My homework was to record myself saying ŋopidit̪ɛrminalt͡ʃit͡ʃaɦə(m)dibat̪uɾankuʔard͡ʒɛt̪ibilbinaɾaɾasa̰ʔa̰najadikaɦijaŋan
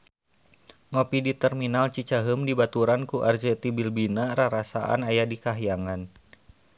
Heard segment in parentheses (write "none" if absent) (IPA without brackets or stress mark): m